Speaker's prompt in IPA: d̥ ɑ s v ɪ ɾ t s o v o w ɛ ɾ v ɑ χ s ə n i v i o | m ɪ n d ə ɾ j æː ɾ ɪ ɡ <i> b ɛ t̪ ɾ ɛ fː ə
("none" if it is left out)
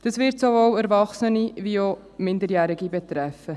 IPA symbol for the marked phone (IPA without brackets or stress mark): i